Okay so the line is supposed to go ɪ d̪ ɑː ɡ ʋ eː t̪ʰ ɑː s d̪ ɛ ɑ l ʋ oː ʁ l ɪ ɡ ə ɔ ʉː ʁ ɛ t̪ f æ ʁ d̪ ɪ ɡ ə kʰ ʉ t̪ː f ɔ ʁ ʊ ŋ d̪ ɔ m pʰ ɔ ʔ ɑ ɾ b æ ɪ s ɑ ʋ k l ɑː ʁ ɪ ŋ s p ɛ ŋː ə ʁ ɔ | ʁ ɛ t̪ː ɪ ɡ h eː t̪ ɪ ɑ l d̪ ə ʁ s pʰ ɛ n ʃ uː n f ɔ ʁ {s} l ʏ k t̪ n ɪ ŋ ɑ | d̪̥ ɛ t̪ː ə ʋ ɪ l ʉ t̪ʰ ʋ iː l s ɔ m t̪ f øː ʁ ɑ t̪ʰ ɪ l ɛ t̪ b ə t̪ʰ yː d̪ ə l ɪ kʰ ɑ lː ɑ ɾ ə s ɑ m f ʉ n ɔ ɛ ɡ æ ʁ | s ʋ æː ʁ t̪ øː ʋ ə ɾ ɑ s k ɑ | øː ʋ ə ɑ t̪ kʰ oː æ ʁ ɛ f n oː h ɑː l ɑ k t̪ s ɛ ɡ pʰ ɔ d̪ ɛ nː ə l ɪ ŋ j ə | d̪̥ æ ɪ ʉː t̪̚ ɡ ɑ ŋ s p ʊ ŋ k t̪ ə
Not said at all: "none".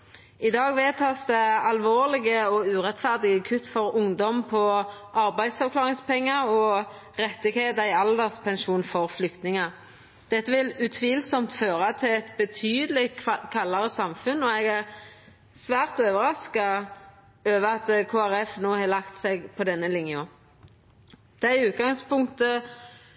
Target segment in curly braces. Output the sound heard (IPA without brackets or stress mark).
f